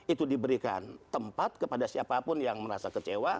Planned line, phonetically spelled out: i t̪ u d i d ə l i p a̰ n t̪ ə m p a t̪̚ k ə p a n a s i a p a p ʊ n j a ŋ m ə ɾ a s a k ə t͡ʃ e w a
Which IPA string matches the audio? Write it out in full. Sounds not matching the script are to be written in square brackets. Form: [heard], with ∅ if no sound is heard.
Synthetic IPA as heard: i t̪ u d i [b] ə [ɾ] i [k] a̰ n t̪ ə m p a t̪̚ k ə p a [d] a s i a p a p ʊ n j a ŋ m ə ɾ a s a k ə t͡ʃ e w a